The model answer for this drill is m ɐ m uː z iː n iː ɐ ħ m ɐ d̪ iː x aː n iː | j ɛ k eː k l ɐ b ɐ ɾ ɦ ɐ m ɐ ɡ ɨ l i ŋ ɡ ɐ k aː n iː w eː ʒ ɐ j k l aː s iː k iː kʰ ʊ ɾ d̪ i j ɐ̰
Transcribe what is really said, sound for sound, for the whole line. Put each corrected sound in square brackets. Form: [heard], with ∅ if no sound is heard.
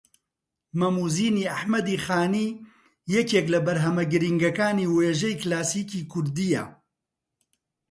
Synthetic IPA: m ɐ m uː z iː n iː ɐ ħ m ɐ d̪ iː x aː n iː | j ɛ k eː k l ɐ b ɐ ɾ ɦ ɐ m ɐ ɡ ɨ [ɾ] i ŋ ɡ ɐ k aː n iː w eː ʒ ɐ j k l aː s iː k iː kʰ ʊ ɾ d̪ i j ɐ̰